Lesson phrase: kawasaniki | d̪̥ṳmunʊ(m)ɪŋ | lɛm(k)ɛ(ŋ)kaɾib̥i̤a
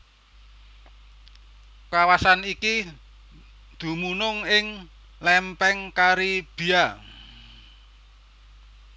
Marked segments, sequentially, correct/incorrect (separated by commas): incorrect, incorrect, correct